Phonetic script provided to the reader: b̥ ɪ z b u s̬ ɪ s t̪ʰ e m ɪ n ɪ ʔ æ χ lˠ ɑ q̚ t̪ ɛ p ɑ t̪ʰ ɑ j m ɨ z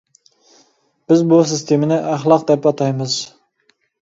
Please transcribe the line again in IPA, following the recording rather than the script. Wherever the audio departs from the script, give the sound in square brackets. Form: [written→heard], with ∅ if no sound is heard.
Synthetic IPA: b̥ ɪ z b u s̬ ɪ s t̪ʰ e m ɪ n ɪ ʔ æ χ lˠ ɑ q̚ [t̪→d̪] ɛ p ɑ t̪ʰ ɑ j m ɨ z